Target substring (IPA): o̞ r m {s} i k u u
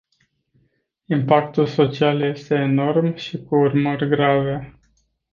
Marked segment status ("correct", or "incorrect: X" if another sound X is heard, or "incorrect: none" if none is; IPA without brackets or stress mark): incorrect: ʃ